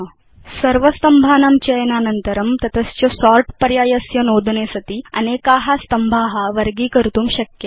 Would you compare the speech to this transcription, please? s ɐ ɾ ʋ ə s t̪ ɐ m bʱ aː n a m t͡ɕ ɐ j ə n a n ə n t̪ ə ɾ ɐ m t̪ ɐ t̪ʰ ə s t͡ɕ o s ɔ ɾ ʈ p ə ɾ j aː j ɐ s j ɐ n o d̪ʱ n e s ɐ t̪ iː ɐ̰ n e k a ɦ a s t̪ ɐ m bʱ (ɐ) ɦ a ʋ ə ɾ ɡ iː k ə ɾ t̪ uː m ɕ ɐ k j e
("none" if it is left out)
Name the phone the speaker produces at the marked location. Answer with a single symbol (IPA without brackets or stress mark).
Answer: a